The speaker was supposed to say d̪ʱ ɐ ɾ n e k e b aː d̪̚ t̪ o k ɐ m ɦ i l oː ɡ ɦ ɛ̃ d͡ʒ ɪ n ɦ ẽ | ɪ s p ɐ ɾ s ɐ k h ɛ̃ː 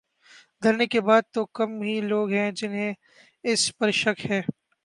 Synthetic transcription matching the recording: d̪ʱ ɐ ɾ n e k e b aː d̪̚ t̪ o k ɐ m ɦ i l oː ɡ ɦ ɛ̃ d͡ʒ ɪ n ɦ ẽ | ɪ s p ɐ ɾ ʃ ɐ k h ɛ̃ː